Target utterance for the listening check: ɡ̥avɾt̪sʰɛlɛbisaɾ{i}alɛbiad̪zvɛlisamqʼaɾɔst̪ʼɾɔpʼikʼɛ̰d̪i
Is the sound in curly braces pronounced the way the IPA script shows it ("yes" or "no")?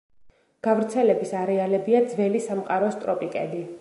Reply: no